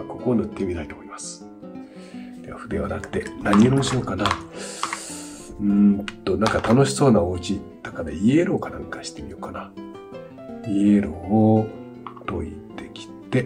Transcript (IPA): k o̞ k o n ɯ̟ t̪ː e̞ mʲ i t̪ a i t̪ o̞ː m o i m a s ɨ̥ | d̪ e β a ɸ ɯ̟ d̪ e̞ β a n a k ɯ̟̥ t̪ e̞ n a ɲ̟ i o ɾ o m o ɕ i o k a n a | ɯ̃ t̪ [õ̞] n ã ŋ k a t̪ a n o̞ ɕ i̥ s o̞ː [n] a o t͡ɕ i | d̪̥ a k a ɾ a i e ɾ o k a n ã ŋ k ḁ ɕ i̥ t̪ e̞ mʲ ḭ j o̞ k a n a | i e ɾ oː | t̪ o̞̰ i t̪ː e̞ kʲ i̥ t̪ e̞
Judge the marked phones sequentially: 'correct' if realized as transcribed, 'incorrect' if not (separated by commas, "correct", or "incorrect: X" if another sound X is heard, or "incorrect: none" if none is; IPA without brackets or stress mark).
incorrect: o̞, correct